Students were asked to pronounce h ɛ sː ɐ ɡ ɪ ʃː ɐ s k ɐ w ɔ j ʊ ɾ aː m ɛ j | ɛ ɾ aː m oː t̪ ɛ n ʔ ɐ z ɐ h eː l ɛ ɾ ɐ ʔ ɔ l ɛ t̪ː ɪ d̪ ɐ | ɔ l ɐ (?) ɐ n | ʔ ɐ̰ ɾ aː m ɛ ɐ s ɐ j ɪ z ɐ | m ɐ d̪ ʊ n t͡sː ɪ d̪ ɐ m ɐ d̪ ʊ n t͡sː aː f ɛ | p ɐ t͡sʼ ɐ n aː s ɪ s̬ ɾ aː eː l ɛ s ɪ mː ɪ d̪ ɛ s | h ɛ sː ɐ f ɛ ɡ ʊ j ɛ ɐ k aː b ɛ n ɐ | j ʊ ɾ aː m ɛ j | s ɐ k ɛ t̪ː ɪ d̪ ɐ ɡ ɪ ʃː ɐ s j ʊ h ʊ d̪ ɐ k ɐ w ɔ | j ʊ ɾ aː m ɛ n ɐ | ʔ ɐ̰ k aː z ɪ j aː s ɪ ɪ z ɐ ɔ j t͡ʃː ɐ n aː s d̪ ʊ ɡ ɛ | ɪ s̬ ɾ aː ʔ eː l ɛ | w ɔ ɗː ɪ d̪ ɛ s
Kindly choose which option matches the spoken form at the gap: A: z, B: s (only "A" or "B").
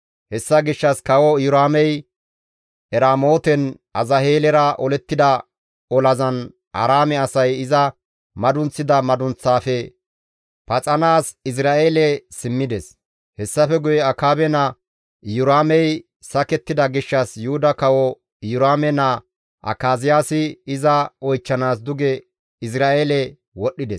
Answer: A